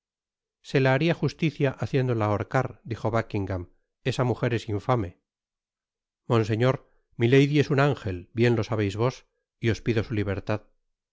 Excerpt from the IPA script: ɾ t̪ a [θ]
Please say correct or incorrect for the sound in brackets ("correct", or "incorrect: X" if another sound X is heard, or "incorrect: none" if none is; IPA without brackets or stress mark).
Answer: incorrect: ð